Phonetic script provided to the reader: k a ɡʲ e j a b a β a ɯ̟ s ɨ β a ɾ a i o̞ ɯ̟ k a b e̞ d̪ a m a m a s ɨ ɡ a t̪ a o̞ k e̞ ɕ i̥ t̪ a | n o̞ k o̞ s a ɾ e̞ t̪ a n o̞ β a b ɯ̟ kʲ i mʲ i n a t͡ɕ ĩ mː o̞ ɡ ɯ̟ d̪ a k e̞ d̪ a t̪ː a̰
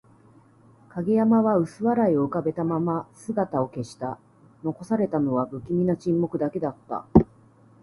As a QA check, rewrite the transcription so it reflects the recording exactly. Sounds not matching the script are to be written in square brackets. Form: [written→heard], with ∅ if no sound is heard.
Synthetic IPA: k a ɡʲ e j a [b→m] a β a ɯ̟ s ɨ β a ɾ a i o̞ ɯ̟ k a b e̞ [d̪→t̪] a m a m a s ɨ ɡ a t̪ a o̞ k e̞ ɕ i̥ t̪ a | n o̞ k o̞ s a ɾ e̞ t̪ a n o̞ β a b ɯ̟ kʲ i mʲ i n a t͡ɕ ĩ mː o̞ [ɡ→k] ɯ̟ d̪ a k e̞ d̪ a t̪ː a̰